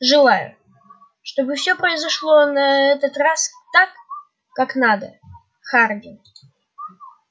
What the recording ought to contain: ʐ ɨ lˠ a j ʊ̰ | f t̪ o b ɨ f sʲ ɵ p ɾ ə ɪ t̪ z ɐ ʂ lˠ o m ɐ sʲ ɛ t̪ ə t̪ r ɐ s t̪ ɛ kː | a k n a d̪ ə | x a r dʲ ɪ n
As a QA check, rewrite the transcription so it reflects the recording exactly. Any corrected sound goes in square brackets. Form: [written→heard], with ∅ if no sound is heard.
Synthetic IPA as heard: ʐ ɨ lˠ a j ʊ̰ | [f→ʂ] t̪ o b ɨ f sʲ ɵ p ɾ ə ɪ [t̪→∅] z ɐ ʂ lˠ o [m→n] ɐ [sʲ→∅] ɛ t̪ ə t̪ r [ɐ→a] s t̪ [ɛ→a] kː | a k n a d̪ ə | x a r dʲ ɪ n